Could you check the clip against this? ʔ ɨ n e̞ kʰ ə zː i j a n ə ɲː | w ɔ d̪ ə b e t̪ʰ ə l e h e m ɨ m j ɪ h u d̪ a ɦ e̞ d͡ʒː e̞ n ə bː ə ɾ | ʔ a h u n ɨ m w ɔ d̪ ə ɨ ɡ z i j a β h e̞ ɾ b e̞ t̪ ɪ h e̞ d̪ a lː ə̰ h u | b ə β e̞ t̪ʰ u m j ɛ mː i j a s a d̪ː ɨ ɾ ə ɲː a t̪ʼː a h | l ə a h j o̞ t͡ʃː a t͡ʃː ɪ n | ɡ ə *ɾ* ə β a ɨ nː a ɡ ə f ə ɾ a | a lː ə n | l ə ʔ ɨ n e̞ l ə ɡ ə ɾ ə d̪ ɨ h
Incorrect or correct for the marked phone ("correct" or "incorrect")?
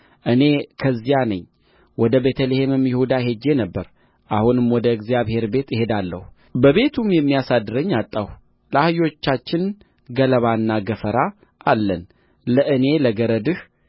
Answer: incorrect